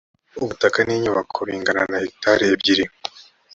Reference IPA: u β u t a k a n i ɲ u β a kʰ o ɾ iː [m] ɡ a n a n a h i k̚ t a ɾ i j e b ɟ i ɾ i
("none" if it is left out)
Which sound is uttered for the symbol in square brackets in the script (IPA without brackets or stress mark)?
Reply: ŋ